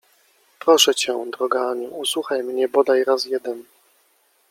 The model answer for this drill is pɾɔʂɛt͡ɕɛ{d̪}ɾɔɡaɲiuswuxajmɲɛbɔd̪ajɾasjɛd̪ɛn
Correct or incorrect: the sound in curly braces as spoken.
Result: correct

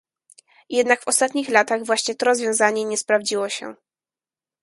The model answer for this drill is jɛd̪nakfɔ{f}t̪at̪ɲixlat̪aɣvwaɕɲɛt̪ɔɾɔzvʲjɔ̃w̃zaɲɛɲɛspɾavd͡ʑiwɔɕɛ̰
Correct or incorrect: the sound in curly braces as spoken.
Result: incorrect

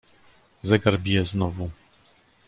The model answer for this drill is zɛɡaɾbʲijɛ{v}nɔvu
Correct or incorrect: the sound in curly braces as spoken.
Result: incorrect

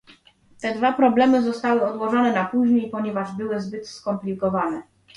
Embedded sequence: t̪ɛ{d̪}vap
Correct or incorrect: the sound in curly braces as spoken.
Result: correct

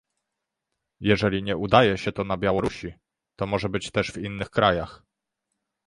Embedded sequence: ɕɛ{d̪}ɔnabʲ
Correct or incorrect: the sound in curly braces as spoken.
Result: incorrect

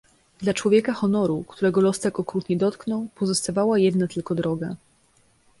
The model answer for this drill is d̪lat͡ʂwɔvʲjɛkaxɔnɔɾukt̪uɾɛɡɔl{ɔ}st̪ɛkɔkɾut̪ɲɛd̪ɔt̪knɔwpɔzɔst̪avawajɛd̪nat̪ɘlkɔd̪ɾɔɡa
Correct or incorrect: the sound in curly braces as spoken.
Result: correct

